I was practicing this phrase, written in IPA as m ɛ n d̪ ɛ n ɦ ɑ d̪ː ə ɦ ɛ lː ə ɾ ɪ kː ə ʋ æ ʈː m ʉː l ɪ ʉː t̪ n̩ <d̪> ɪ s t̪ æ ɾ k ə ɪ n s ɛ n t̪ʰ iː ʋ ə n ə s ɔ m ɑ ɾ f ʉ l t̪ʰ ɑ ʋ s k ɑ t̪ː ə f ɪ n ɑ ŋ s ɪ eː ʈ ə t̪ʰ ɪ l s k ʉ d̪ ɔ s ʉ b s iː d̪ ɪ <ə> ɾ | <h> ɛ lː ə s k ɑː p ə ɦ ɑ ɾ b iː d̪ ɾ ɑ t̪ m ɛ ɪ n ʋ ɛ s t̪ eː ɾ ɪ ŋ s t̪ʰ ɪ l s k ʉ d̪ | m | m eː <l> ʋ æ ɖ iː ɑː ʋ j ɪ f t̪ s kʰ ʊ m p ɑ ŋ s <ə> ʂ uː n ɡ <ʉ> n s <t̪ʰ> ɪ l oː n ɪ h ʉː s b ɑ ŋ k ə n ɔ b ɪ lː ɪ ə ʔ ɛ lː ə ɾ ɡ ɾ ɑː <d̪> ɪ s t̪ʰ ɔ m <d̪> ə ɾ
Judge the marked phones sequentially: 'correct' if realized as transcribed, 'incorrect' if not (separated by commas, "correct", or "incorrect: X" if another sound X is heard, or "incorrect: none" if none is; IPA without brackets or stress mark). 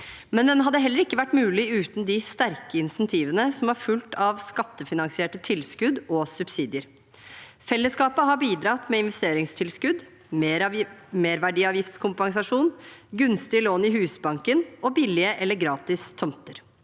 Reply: correct, correct, incorrect: f, incorrect: ɾ, incorrect: ɑ, correct, incorrect: t̪, incorrect: t̪, incorrect: t̪